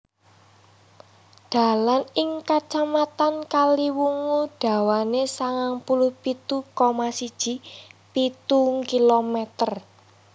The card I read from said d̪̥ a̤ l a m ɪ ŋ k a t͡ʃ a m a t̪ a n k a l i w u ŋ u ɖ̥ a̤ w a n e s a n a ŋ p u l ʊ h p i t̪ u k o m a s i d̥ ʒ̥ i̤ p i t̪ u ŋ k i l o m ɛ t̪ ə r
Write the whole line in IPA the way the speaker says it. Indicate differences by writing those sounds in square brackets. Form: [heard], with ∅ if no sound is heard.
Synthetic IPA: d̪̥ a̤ l a [n] ɪ ŋ k a t͡ʃ a m a t̪ a n k a l i w u ŋ u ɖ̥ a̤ w a n e s a [ŋ] a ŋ p u l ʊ h p i t̪ u k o m a s i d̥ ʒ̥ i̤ p i t̪ u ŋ k i l o m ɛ t̪ ə r